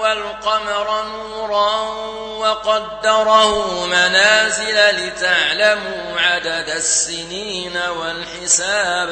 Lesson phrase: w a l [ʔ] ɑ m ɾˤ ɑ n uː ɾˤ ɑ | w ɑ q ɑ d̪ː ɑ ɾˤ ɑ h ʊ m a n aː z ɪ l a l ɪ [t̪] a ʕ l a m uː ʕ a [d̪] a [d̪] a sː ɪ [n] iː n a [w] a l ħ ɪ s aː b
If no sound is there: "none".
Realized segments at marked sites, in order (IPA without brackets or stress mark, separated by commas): q, t̪, d̪, d̪, n, w